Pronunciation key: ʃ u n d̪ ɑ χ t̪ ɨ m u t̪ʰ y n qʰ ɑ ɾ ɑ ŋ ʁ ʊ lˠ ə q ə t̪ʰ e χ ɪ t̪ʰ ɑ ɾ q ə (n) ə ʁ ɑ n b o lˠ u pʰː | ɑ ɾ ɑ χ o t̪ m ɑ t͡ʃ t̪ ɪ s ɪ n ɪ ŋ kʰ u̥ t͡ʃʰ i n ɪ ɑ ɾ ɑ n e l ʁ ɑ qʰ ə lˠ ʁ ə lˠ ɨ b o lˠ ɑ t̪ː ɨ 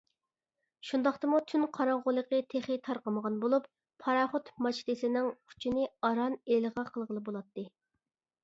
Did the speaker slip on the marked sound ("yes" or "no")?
yes